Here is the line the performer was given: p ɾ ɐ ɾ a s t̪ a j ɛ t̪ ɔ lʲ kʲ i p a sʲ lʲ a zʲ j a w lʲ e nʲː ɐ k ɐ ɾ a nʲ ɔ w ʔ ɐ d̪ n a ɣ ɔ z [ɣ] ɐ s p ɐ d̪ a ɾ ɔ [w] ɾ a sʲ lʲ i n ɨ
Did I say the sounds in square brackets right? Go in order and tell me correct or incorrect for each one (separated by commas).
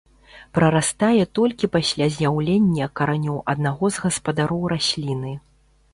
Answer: correct, correct